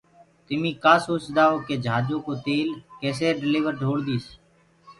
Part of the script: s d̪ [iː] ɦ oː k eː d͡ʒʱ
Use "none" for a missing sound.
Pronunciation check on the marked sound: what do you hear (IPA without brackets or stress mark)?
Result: aː